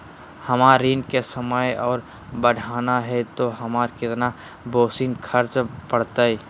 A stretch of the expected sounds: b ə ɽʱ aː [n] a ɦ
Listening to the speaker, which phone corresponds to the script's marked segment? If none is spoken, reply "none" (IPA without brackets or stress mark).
n